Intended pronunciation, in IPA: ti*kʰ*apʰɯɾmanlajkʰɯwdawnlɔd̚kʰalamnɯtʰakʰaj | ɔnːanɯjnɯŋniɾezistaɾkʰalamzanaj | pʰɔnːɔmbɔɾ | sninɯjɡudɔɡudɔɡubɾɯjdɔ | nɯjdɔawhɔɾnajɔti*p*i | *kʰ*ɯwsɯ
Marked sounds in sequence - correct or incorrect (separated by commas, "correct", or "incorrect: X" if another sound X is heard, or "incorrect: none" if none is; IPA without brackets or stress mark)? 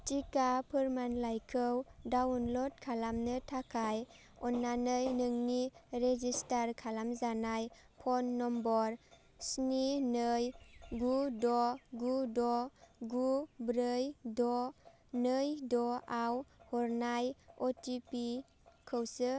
incorrect: k, correct, correct